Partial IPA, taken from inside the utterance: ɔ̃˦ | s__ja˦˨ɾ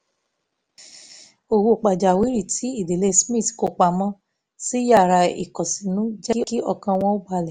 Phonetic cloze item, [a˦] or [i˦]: i˦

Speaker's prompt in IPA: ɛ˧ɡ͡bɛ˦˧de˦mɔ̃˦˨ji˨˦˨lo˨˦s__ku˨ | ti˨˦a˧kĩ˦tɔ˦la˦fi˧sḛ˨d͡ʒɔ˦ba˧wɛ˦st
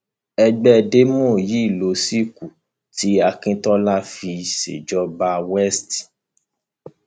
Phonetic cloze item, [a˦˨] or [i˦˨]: i˦˨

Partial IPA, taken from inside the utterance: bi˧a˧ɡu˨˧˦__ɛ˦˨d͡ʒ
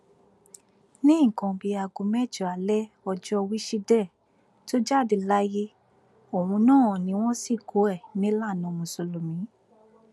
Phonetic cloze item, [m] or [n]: m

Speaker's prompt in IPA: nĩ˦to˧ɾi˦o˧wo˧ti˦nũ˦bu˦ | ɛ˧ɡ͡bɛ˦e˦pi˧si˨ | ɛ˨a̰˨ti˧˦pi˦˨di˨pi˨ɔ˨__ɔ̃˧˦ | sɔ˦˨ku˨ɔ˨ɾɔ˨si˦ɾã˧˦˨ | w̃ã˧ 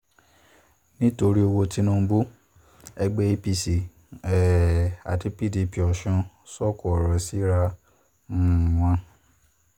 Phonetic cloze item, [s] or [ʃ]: ʃ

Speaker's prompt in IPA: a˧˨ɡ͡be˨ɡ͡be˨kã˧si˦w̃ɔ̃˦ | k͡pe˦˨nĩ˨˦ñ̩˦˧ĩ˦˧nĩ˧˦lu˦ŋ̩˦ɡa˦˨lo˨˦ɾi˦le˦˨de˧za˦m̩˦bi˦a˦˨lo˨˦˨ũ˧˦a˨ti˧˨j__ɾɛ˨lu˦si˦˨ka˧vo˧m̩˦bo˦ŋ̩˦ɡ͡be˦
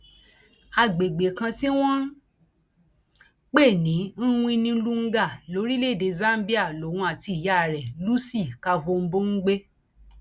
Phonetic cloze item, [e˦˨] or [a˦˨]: a˦˨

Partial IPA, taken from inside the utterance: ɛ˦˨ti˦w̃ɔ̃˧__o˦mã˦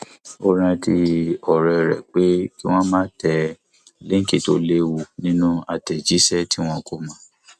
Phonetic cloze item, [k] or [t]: k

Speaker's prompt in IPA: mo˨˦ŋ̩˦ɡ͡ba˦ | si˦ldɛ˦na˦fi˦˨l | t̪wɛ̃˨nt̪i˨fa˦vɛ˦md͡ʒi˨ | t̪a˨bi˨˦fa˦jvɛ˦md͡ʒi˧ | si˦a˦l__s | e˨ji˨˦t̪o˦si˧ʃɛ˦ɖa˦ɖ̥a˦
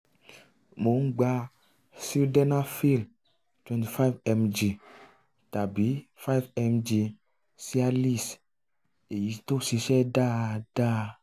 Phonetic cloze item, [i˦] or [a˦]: i˦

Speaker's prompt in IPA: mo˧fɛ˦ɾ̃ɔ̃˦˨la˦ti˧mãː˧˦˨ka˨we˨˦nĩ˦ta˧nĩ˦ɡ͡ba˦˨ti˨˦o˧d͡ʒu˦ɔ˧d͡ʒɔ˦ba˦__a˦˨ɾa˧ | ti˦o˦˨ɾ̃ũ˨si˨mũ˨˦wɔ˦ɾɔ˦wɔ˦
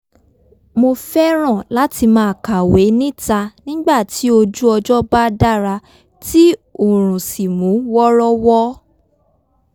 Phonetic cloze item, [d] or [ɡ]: d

